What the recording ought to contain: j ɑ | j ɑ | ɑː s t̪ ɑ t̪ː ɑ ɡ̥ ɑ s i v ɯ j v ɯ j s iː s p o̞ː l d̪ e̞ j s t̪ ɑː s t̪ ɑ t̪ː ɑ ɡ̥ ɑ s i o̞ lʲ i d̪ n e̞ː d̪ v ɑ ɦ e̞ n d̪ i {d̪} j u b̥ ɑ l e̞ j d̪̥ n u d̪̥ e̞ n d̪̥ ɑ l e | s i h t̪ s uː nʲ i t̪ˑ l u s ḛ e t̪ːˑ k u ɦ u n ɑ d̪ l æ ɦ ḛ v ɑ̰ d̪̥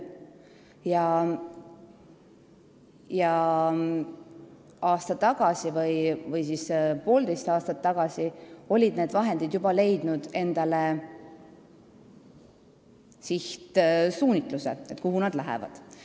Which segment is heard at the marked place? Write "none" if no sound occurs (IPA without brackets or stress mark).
d̪